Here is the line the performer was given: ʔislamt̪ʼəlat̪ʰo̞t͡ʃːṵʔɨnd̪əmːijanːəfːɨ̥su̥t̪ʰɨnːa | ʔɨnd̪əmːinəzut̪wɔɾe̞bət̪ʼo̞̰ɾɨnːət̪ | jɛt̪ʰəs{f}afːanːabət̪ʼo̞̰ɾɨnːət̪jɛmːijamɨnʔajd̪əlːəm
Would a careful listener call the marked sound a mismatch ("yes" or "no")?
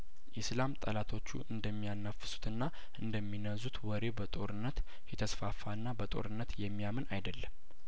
no